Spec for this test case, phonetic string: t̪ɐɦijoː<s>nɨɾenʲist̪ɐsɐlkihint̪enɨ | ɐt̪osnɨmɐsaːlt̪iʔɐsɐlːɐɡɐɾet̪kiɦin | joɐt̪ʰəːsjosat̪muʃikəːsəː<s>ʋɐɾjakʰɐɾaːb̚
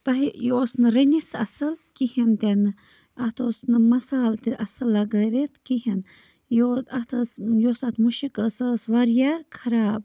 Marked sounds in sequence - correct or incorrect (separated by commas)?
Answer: correct, correct